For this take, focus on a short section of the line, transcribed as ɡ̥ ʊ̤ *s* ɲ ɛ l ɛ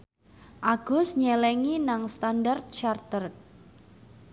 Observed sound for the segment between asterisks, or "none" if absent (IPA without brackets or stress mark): s